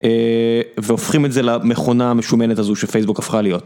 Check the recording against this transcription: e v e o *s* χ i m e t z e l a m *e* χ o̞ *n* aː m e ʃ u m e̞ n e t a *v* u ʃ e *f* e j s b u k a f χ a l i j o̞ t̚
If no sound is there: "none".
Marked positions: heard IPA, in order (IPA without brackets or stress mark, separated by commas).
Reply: f, e, n, z, f